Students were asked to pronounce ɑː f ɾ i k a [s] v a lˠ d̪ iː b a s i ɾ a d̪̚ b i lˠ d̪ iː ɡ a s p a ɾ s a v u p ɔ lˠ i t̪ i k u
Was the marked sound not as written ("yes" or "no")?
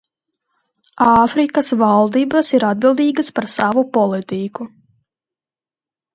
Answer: no